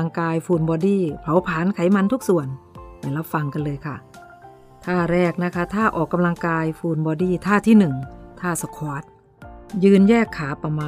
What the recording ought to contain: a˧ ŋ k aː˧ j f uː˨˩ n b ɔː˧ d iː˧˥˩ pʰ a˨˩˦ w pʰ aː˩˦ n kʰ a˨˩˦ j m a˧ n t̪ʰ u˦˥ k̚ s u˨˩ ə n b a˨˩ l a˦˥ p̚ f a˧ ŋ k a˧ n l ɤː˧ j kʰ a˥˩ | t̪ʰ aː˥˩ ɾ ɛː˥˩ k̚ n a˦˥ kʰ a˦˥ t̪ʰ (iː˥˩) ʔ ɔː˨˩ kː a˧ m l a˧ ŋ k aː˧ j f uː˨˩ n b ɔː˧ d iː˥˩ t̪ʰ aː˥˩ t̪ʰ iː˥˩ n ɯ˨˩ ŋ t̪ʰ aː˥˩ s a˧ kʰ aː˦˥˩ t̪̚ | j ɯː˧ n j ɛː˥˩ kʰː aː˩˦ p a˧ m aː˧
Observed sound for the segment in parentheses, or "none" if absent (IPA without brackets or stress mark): aː˥˩